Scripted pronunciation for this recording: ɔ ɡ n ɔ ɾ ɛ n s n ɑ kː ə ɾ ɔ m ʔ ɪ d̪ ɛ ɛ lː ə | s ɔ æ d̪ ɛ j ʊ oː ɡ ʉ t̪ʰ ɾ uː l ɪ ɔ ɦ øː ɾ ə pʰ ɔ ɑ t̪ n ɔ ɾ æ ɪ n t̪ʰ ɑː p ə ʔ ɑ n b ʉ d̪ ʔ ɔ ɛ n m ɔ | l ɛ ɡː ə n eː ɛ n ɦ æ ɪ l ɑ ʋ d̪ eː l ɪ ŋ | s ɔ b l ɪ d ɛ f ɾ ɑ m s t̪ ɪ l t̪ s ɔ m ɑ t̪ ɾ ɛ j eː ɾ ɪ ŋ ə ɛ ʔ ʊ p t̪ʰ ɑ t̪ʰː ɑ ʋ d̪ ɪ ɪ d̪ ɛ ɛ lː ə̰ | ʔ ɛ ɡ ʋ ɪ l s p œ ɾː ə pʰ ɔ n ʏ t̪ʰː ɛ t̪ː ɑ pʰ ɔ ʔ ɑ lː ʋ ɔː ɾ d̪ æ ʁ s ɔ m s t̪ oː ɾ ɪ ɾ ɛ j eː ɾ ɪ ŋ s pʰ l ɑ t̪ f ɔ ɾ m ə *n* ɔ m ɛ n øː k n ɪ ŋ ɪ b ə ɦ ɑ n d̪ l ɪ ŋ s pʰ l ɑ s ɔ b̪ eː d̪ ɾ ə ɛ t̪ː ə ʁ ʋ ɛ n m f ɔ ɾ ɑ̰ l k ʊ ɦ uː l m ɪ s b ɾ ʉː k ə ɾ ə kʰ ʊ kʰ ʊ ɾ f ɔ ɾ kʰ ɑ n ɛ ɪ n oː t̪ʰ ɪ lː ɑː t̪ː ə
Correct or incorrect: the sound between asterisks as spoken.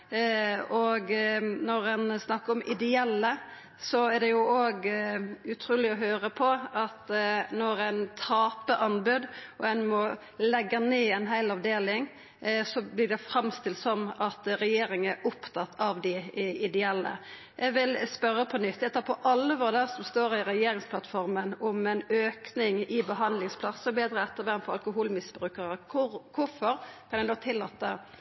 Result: correct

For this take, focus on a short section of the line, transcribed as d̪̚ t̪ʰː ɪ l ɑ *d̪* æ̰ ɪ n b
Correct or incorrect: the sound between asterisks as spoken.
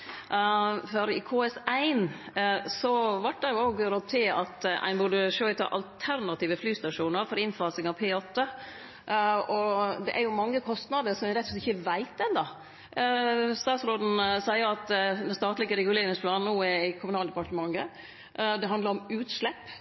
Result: incorrect: t̪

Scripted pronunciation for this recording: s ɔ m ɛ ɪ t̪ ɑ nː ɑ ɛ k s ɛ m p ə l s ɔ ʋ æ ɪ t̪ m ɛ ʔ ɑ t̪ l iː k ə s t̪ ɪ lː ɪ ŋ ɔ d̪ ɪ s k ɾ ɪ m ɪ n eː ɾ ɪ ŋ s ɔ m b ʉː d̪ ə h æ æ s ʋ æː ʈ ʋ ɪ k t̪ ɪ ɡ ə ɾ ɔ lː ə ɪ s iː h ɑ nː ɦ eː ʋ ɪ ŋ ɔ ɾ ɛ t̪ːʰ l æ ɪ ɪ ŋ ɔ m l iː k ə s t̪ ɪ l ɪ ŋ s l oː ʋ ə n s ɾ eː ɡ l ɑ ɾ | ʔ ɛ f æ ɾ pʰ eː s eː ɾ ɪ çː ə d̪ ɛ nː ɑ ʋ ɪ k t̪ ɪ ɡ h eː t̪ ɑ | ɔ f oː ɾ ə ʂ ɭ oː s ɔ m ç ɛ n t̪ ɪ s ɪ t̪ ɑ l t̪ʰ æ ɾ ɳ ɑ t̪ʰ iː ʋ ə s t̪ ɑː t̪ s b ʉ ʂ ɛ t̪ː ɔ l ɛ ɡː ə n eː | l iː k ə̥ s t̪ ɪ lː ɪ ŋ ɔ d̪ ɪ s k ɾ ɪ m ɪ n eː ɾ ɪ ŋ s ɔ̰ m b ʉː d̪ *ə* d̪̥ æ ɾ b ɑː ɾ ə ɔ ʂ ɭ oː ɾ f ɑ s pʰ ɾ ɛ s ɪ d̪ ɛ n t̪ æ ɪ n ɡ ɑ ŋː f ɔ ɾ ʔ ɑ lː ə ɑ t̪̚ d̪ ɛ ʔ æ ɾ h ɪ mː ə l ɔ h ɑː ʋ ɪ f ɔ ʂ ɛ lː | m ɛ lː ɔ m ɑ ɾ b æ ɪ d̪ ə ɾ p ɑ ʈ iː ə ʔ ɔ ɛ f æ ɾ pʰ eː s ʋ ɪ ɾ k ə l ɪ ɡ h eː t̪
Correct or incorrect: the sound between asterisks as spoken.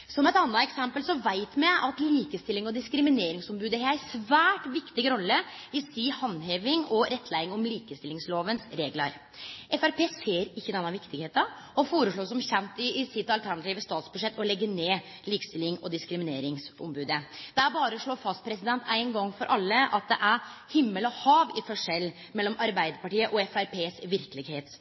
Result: correct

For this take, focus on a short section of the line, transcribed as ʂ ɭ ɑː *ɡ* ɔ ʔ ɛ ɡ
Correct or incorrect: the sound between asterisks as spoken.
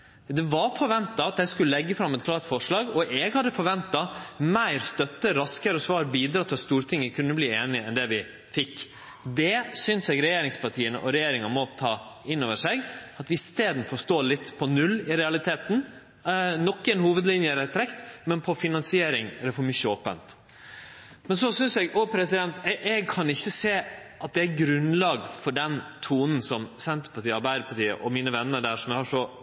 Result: correct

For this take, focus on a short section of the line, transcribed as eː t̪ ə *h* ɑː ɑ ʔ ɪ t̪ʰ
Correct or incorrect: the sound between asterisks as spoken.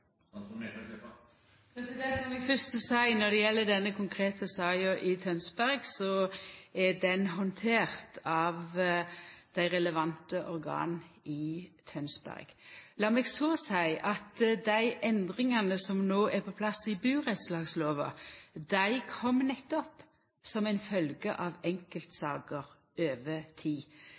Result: incorrect: s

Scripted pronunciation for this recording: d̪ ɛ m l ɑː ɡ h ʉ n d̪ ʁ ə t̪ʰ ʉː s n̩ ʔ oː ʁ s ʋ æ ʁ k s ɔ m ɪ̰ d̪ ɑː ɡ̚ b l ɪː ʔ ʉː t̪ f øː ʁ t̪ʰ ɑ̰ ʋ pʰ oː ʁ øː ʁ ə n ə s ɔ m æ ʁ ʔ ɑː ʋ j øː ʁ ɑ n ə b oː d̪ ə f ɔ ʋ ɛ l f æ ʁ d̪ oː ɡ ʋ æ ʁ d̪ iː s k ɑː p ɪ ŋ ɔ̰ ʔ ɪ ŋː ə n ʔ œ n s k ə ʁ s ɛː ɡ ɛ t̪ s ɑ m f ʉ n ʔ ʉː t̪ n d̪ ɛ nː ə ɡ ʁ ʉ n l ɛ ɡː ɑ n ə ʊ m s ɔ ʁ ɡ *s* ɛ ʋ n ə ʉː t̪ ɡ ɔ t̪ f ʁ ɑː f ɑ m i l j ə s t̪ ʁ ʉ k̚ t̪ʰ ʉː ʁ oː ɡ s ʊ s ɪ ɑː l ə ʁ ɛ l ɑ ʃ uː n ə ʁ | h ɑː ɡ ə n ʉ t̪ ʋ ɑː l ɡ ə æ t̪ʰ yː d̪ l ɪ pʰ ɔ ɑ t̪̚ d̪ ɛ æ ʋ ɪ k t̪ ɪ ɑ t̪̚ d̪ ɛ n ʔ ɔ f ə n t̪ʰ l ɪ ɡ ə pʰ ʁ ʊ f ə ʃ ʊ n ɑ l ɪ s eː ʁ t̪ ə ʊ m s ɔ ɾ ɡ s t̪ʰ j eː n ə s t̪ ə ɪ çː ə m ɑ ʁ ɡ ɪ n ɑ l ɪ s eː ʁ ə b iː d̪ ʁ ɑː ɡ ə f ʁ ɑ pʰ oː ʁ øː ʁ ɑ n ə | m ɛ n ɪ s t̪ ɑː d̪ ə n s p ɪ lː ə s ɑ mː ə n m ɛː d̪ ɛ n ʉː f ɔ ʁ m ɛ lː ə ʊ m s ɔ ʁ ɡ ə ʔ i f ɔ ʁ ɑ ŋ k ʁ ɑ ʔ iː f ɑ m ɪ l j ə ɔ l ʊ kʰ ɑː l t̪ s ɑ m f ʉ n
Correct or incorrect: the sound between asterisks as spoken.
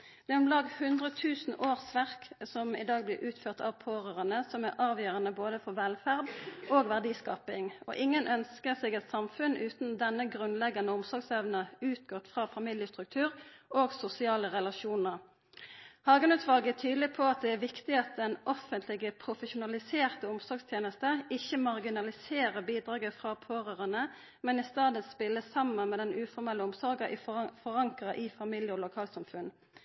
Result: correct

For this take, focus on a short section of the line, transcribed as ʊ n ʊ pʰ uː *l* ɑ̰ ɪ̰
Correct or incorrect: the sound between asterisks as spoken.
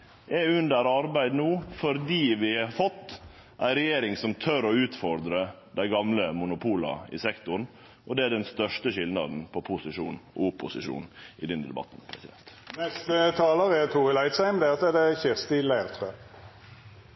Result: correct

